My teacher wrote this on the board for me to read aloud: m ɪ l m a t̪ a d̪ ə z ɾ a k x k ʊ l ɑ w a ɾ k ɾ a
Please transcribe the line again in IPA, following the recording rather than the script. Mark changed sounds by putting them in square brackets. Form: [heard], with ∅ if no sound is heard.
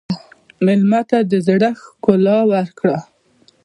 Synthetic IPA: m ɪ l m a t̪ a d̪ ə z [ɽ] a [∅] x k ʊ l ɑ w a ɾ k [ɽ] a